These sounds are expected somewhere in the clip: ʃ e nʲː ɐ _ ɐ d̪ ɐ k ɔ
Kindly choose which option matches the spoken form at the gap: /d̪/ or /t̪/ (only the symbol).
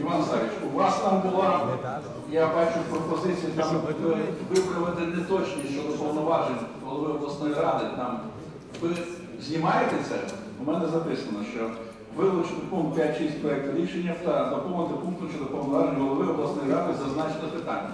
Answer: t̪